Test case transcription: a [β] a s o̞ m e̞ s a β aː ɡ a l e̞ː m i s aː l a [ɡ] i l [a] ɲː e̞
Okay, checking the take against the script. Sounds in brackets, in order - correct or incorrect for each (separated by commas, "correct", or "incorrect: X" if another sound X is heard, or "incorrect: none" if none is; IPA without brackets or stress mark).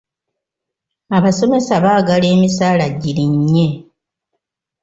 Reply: correct, incorrect: ɟ, incorrect: i